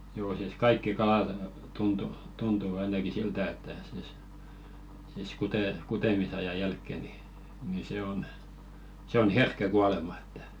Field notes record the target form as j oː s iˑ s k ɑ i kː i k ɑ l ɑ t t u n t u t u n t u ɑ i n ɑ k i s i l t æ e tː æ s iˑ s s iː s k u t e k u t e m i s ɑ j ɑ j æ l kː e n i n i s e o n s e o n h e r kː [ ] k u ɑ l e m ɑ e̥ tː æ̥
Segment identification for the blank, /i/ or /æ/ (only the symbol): æ